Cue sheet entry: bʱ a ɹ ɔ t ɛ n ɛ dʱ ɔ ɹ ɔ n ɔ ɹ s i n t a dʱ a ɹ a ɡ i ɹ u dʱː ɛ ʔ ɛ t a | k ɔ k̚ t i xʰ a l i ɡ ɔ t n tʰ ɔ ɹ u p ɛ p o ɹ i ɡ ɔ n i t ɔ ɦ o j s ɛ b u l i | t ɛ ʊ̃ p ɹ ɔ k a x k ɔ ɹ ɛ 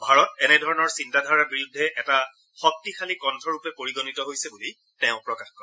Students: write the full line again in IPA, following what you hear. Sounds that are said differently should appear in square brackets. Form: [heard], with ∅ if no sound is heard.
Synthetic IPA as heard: bʱ a ɹ ɔ t ɛ n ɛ dʱ ɔ ɹ ɔ n ɔ ɹ s i n t a dʱ a ɹ a [b] i ɹ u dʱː ɛ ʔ ɛ t a | [x] ɔ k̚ t i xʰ a l i [k] ɔ [∅] n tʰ ɔ ɹ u p ɛ p o ɹ i ɡ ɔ n i t ɔ ɦ o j s ɛ b u l i | t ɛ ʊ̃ p ɹ ɔ k a x k ɔ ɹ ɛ